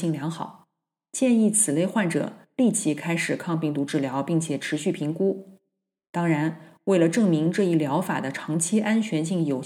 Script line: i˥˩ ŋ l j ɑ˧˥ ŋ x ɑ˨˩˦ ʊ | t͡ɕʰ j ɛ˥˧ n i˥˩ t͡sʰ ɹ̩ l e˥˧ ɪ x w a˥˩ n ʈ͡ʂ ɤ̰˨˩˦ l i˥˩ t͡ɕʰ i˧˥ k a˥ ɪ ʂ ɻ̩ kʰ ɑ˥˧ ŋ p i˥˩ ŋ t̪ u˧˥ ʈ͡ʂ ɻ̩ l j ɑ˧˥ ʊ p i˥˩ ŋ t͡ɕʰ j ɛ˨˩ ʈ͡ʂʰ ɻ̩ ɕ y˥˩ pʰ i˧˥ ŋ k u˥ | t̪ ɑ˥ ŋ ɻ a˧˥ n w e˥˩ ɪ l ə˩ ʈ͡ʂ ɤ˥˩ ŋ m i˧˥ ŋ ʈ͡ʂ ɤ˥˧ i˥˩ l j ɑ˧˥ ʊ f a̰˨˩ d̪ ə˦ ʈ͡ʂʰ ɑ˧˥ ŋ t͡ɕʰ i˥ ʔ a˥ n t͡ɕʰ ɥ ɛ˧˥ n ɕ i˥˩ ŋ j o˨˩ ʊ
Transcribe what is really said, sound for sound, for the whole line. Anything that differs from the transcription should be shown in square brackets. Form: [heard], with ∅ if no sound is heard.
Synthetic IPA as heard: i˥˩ ŋ l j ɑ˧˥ ŋ x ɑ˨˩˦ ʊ | [t͡ɕ] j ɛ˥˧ n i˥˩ t͡sʰ ɹ̩ l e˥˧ ɪ x w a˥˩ n ʈ͡ʂ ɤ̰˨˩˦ l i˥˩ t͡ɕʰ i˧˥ [kʰ] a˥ ɪ ʂ ɻ̩ kʰ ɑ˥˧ ŋ p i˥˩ ŋ t̪ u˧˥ ʈ͡ʂ ɻ̩ l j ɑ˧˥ ʊ p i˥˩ ŋ t͡ɕʰ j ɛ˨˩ ʈ͡ʂʰ ɻ̩ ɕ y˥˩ pʰ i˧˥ ŋ k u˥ | t̪ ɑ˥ ŋ ɻ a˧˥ n w e˥˩ ɪ l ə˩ ʈ͡ʂ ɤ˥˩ ŋ m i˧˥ ŋ ʈ͡ʂ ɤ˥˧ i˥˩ l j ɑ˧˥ ʊ f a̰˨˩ d̪ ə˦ ʈ͡ʂʰ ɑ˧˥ ŋ t͡ɕʰ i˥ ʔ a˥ n t͡ɕʰ ɥ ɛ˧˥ n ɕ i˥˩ ŋ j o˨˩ ʊ